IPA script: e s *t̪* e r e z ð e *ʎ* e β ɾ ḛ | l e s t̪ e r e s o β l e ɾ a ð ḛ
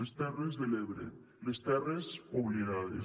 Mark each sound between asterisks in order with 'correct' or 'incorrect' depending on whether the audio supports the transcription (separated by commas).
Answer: correct, incorrect